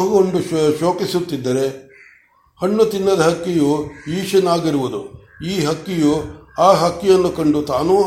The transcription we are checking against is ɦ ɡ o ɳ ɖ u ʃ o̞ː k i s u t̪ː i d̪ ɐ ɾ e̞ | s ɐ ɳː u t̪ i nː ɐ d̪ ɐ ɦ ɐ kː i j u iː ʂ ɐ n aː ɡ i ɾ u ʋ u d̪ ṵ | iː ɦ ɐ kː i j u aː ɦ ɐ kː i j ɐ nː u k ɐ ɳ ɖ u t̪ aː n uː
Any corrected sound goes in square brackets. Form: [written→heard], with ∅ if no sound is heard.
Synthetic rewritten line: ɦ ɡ o ɳ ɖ u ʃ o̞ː k i s u t̪ː i [d̪→d̪ː] ɐ ɾ e̞ | [s→h] ɐ ɳː u t̪ i nː ɐ d̪ ɐ ɦ ɐ kː i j u iː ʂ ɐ n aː ɡ i ɾ u ʋ u d̪ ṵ | iː ɦ ɐ kː i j u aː ɦ ɐ kː i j ɐ nː u k ɐ ɳ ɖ u t̪ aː n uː